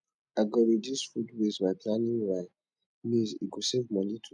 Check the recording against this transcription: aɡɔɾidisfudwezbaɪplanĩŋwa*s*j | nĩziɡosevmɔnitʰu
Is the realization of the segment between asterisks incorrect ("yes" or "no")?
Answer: yes